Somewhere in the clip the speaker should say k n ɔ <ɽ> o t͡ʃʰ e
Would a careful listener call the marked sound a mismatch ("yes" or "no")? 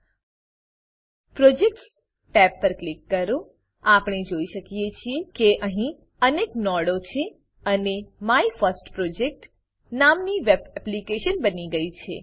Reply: no